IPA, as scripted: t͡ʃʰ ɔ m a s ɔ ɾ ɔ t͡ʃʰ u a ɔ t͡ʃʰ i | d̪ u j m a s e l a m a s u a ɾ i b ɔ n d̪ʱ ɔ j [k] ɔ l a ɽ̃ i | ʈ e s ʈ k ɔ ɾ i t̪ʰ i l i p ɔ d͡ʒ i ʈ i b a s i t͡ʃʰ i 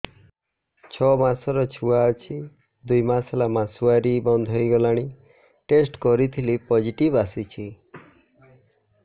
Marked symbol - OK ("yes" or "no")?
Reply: no